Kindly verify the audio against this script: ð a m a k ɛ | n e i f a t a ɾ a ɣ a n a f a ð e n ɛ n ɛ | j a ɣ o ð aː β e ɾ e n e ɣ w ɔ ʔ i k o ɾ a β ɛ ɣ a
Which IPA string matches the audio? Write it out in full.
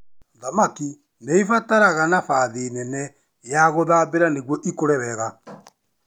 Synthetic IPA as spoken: ð a m a k i | n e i f a t a ɾ a ɣ a n a f a ð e n ɛ n ɛ | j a ɣ o ð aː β e ɾ a n e ɣ w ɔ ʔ i k o ɾ ɛ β ɛ ɣ a